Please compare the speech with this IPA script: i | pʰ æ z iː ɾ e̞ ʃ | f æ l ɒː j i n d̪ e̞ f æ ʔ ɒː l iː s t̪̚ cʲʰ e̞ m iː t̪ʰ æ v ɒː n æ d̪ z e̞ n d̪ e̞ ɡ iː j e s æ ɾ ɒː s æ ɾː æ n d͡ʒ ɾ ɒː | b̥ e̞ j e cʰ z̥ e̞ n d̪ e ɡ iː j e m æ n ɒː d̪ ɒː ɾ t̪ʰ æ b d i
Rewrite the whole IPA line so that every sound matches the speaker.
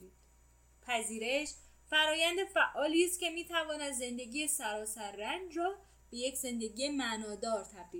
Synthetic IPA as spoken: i | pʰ æ z iː ɾ e̞ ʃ | f æ ɾ ɒː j æ n d̪ e̞ f æ ʔ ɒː l iː s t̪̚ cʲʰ e̞ m iː t̪ʰ æ v ɒː n æ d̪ z e̞ n d̪ e̞ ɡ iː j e s æ ɾ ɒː s æ ɾː æ n d͡ʒ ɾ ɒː | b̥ e̞ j e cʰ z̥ e̞ n d̪ e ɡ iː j e m æ n ɒː d̪ ɒː ɾ t̪ʰ æ b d i